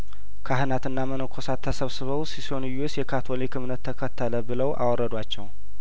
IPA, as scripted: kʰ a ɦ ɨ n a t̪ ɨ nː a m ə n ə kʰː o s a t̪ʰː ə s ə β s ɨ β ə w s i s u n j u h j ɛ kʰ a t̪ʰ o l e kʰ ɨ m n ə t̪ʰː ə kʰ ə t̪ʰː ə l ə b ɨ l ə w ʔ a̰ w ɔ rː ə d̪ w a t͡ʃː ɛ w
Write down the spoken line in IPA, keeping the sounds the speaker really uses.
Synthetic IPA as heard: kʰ a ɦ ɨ n a t̪ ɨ nː a m ə n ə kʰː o s a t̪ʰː ə s ə β s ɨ β ə w s i s o n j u s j ɛ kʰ a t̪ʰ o l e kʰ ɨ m n ə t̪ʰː ə kʰ ə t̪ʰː ə l ə b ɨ l ə w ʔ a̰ w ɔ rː ə d̪ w a t͡ʃː ɛ w